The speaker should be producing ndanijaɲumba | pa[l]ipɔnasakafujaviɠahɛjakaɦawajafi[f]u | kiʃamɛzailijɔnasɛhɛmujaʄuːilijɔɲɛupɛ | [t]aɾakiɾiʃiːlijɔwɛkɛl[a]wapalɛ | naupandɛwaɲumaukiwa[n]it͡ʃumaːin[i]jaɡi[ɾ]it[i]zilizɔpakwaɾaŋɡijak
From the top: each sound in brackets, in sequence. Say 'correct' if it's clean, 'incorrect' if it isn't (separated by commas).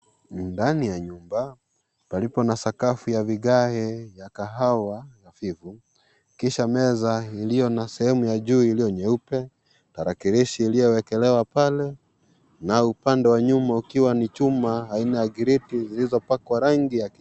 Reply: correct, incorrect, correct, incorrect, correct, incorrect, correct, correct